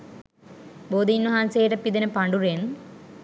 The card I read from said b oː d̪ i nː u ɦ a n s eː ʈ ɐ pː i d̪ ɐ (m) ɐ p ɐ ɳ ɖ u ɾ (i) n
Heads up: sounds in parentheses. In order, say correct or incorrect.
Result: incorrect: n, incorrect: e

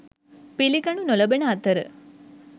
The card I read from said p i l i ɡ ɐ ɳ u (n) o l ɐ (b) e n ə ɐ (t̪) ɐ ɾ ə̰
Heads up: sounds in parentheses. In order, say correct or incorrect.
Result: correct, correct, correct

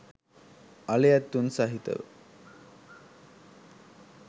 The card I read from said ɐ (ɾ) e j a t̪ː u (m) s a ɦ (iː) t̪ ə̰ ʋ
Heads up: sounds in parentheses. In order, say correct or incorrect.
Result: incorrect: l, incorrect: n, incorrect: i

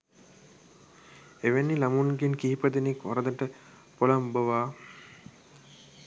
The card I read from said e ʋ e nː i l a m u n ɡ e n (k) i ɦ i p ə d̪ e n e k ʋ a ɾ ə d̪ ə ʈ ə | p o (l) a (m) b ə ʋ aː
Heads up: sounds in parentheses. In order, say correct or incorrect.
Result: correct, correct, correct

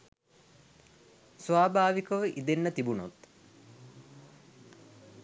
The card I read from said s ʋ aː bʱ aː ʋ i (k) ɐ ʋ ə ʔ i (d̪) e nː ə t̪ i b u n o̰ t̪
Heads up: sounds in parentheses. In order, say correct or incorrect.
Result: correct, correct

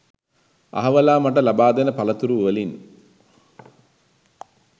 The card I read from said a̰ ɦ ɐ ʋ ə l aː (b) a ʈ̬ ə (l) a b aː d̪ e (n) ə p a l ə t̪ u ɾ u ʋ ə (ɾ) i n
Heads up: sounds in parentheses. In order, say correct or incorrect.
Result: incorrect: m, correct, correct, incorrect: l

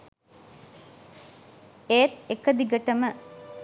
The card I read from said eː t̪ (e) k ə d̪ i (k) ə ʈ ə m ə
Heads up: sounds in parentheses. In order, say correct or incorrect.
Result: correct, incorrect: ɡ

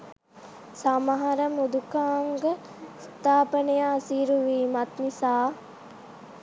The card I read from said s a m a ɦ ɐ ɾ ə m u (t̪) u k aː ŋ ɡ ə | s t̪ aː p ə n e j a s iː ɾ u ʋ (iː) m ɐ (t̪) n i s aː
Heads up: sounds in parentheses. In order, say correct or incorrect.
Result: incorrect: d̪, correct, correct

